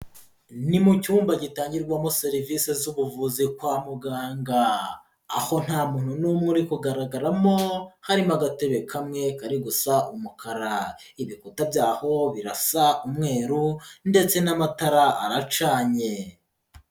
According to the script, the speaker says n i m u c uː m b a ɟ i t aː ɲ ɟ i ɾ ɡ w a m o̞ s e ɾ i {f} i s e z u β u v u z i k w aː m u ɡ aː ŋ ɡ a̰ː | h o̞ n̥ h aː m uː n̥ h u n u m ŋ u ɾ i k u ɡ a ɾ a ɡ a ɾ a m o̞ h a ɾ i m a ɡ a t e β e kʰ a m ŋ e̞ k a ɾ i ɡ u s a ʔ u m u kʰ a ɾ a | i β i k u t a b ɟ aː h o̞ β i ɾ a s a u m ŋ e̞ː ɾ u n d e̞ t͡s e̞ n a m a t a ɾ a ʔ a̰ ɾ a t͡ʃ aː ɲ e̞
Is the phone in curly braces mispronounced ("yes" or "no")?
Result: yes